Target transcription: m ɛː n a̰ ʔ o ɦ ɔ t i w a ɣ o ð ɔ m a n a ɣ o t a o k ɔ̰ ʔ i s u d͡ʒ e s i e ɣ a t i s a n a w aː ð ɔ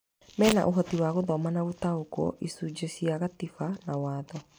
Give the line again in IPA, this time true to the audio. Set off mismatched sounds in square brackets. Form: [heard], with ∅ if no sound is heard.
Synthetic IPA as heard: m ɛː n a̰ ʔ o ɦ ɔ t i w a ɣ o ð ɔ m a n a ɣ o t a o k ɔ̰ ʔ i s u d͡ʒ e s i [a] ɣ a t i [f] a n a w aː ð ɔ